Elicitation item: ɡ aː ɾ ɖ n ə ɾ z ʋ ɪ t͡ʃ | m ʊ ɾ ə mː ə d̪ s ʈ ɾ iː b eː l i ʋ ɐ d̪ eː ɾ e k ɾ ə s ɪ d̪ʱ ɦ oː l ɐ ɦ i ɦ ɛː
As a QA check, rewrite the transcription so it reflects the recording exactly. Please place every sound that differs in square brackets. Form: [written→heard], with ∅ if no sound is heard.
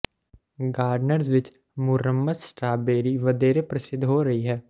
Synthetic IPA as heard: ɡ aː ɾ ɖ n ə ɾ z ʋ ɪ t͡ʃ | m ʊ ɾ ə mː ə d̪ s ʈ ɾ [iː→aː] b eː [l→ɾ] i ʋ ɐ d̪ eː ɾ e [k→p] ɾ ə s ɪ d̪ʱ ɦ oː [l→ɾ] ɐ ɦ i ɦ ɛː